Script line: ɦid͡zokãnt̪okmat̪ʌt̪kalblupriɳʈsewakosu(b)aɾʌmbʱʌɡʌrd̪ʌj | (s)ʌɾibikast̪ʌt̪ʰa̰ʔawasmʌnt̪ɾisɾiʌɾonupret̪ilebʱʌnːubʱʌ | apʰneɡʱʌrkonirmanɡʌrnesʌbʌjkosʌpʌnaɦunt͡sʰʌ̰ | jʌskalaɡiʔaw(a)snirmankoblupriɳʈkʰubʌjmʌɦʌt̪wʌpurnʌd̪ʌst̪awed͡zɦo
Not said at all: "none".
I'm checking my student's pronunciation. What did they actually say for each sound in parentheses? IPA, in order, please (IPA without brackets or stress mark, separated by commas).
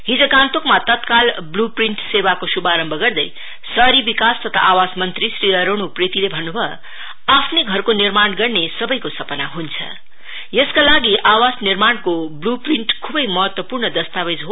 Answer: b, s, a